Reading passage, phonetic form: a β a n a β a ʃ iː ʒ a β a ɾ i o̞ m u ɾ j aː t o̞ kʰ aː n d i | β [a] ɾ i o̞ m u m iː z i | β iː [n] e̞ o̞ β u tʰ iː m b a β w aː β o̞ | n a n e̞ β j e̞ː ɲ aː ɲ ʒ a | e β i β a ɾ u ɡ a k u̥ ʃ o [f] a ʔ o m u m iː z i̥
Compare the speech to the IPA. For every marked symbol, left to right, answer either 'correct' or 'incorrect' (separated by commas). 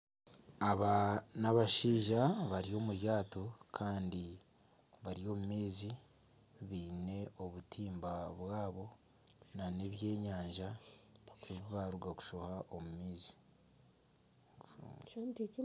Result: correct, correct, incorrect